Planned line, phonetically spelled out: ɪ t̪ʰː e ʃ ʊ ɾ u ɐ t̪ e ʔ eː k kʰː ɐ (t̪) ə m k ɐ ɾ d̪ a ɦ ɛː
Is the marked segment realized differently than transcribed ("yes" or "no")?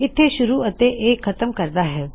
no